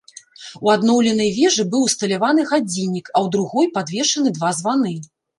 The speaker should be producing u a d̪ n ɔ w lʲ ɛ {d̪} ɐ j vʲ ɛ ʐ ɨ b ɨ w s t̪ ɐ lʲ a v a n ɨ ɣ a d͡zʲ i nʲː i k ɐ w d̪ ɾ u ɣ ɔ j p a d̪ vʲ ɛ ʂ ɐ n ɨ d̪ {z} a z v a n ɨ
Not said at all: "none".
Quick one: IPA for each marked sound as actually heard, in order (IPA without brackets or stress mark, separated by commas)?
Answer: n̪, v